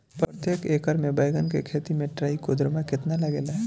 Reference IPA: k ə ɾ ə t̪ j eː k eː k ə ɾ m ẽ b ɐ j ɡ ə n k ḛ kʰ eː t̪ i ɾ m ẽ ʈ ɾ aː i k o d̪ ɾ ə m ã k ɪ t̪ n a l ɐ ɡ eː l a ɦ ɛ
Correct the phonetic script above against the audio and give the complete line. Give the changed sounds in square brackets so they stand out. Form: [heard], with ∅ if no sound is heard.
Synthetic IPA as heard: [p] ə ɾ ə t̪ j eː k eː k ə ɾ m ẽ b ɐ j ɡ ə n k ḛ kʰ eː t̪ i [∅] m ẽ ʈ ɾ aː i k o d̪ ɾ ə m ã k ɪ t̪ n a l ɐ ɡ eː l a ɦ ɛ